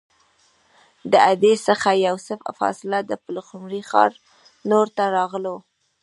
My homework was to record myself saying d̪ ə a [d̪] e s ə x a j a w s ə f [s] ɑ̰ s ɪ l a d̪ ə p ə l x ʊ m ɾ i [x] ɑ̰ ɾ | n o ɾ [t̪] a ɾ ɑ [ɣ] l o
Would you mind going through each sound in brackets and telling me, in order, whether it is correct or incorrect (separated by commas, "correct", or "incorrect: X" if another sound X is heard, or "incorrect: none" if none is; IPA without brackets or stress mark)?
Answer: correct, incorrect: f, correct, correct, correct